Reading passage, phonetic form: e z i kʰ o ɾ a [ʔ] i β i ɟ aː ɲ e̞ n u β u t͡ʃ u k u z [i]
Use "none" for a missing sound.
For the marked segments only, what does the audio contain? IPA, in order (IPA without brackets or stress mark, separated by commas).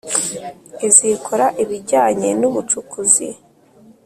ʔ, i